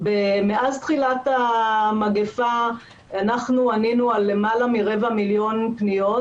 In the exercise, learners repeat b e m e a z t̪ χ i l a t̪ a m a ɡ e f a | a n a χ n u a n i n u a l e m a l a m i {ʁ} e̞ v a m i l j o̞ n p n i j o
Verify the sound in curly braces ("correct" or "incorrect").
correct